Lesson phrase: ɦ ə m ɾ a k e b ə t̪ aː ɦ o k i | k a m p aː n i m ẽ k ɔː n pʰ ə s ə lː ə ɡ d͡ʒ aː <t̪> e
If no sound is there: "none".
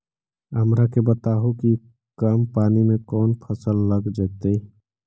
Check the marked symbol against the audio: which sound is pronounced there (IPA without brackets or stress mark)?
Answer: t̪